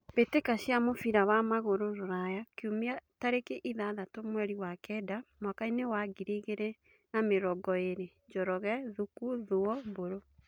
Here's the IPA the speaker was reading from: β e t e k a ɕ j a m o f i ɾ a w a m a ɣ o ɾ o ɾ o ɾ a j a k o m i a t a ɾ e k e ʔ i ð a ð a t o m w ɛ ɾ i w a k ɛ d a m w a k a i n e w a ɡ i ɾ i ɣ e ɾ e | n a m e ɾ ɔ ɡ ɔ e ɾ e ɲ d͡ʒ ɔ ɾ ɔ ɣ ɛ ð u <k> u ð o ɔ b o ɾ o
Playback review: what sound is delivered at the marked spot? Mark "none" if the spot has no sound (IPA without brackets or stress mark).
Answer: k